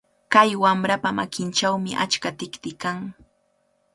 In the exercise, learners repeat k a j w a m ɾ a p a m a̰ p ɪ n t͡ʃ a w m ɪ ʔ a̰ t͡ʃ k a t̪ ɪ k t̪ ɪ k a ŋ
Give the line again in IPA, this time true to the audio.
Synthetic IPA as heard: k a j w a m ɾ a p a m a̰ k ɪ n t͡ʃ a w m ɪ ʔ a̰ t͡ʃ k a t̪ ɪ k t̪ ɪ k a ŋ